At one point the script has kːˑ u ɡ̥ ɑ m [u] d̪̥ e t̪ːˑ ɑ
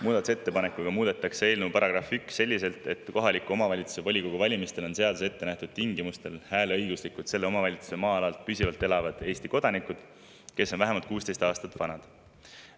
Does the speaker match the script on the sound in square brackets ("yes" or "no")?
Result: no